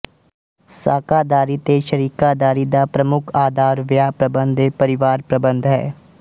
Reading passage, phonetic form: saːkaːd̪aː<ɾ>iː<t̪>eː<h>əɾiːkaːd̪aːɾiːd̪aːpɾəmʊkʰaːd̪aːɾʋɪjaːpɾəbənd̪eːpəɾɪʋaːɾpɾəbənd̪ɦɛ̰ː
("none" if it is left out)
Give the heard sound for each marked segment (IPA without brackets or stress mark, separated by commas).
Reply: ɾ, t̪, ʃ